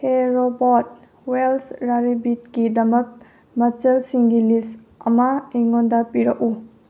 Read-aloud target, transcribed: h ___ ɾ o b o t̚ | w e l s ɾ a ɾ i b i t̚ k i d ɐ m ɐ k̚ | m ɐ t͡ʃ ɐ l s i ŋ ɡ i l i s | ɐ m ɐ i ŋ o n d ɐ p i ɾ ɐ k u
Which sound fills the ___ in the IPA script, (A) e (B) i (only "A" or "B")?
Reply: A